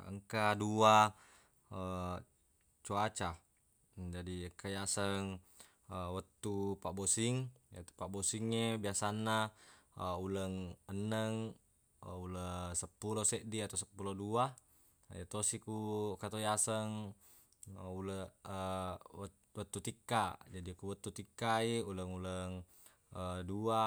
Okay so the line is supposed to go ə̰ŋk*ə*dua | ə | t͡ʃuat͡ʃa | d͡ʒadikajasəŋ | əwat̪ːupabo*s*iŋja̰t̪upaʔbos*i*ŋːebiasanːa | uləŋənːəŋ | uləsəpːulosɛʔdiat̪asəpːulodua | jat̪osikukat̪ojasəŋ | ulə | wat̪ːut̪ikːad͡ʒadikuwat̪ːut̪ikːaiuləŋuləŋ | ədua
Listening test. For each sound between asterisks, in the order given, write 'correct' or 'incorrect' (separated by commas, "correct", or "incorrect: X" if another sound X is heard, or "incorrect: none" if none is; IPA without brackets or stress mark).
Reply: incorrect: a, correct, correct